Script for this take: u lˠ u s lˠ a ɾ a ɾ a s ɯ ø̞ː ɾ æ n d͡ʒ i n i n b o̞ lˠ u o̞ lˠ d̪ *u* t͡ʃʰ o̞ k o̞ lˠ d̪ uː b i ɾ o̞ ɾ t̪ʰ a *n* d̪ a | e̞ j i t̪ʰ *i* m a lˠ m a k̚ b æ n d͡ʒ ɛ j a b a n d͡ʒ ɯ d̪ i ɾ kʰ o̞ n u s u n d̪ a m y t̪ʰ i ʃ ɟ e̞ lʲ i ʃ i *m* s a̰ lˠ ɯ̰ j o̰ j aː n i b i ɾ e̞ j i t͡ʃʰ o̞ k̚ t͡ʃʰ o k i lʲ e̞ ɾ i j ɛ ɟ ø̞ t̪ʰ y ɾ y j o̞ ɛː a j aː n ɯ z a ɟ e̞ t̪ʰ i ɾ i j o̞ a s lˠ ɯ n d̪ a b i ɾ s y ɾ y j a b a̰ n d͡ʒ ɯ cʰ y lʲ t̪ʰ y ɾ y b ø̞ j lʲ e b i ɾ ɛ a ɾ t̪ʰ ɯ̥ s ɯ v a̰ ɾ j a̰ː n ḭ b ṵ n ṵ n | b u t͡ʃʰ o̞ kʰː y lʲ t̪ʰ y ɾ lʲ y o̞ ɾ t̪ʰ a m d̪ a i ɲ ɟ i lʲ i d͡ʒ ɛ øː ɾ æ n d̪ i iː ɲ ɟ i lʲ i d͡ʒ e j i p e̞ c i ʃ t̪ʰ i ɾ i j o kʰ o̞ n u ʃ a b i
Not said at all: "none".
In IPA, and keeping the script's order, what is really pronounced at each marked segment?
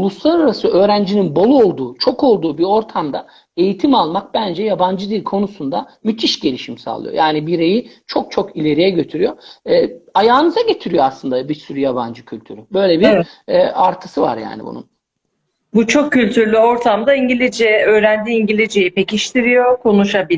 uː, m, i, m

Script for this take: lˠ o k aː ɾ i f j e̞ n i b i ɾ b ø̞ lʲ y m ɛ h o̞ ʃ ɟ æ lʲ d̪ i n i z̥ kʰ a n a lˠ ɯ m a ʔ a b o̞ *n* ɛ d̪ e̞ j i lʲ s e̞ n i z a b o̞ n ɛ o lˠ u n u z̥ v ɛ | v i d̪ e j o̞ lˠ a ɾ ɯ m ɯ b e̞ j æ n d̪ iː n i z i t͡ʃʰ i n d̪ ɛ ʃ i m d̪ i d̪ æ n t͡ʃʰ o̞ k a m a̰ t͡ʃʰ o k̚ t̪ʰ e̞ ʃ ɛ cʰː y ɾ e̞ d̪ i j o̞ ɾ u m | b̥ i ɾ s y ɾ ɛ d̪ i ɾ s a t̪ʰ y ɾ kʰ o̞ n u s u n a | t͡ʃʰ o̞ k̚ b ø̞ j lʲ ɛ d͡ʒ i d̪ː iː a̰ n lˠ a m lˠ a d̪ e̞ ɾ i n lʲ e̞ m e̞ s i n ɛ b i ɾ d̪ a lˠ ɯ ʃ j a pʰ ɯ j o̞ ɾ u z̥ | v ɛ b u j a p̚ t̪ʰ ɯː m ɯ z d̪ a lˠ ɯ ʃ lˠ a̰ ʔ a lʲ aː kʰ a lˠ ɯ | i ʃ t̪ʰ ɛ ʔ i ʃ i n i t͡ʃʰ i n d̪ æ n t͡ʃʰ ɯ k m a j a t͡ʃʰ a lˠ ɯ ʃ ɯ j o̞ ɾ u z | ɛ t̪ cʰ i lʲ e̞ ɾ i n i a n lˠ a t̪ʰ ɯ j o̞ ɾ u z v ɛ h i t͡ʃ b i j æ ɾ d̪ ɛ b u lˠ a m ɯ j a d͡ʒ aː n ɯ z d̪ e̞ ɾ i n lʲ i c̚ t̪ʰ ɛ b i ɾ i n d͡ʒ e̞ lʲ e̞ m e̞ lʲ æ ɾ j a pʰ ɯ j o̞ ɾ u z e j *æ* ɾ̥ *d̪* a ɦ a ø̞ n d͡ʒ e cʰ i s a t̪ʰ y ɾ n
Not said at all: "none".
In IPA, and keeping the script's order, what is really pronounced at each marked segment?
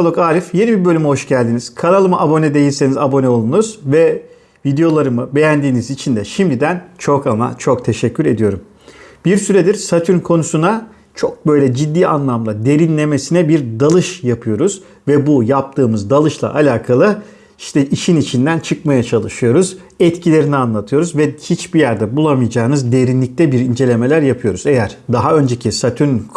n, æ, d̪

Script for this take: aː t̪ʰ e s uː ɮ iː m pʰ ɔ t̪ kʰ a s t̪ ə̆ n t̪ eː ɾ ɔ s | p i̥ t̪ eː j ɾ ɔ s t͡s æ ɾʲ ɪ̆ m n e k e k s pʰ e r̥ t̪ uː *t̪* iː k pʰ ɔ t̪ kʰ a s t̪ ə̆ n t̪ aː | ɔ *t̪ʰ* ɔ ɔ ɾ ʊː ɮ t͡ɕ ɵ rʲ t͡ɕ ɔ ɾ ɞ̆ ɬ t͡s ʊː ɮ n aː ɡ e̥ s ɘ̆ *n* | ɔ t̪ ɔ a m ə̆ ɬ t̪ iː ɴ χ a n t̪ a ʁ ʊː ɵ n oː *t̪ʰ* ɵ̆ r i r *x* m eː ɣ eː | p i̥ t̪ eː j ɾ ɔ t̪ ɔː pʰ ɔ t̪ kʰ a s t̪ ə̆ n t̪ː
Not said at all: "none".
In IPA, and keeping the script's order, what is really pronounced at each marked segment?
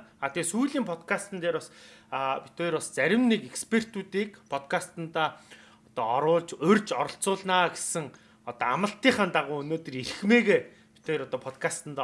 t̪, t̪, ŋ, t̪, x

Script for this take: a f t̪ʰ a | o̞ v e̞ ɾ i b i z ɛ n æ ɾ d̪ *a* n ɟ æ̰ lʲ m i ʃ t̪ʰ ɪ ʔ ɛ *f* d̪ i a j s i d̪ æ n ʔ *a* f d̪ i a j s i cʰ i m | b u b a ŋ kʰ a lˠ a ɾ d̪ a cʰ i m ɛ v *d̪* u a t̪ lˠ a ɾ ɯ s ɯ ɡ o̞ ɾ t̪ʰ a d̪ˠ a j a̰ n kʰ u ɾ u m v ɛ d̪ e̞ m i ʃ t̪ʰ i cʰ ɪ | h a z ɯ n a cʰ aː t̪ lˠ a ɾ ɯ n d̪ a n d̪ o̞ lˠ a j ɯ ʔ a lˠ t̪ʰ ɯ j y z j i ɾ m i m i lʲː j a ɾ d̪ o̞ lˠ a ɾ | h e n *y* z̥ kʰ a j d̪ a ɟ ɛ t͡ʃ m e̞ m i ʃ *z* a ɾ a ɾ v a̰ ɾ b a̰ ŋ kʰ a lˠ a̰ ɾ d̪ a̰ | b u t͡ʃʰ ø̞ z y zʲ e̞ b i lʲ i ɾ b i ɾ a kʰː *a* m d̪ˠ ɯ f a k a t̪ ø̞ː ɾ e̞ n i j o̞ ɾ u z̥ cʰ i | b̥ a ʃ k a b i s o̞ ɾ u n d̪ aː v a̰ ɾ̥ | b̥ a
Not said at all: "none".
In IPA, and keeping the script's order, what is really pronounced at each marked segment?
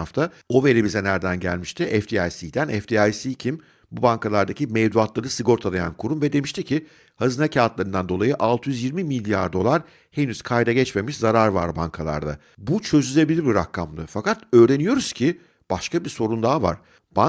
æ, f, ɛ, d̪, y, z, a

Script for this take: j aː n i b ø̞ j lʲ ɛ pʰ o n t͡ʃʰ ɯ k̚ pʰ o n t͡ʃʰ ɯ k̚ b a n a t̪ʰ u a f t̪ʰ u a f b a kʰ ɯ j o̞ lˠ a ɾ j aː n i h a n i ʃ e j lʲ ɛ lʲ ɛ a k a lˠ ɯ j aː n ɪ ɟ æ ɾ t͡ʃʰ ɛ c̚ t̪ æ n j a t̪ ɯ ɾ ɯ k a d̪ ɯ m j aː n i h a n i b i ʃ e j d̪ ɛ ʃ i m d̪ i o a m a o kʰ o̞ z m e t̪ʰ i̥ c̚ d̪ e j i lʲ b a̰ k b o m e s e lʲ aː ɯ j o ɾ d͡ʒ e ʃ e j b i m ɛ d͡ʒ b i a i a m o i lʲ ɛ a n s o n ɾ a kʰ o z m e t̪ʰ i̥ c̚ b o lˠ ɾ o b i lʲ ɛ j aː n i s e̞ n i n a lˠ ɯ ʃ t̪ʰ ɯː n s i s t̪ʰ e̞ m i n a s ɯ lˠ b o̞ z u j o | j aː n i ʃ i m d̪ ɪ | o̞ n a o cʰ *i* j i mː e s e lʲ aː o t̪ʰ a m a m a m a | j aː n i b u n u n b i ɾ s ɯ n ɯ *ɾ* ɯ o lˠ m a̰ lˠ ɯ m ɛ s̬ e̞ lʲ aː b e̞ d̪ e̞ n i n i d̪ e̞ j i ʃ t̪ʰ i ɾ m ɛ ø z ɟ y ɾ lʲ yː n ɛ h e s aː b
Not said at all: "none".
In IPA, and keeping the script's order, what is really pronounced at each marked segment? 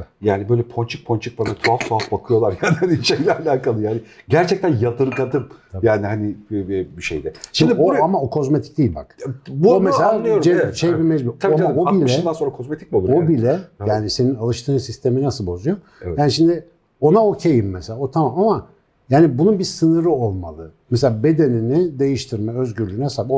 e, ɾ

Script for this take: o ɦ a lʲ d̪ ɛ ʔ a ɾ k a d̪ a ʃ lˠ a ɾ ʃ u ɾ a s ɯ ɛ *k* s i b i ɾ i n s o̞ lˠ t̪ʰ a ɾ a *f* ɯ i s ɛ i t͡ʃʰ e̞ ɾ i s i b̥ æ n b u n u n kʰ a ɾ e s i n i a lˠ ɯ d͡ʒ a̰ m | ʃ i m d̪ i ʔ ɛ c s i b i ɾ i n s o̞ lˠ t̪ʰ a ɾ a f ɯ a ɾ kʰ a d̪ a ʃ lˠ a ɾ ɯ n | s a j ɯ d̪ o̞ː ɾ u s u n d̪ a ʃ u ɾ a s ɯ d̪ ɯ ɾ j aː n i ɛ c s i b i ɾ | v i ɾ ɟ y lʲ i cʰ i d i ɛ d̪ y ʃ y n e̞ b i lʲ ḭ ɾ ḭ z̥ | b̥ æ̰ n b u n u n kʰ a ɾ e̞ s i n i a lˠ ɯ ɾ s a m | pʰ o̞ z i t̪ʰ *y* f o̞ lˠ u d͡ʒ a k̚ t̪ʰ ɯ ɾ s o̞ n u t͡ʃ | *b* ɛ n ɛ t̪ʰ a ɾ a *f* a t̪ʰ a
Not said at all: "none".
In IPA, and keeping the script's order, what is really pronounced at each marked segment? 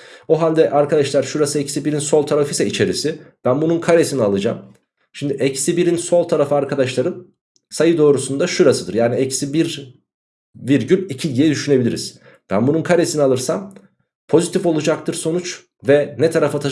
c, f, i, v, f

